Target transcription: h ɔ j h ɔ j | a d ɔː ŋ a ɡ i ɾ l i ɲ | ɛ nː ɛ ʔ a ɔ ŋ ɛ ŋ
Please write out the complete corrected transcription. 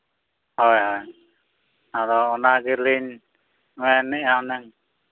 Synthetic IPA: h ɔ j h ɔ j | a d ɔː n a ɡ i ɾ l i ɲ | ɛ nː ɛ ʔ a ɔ n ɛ ŋ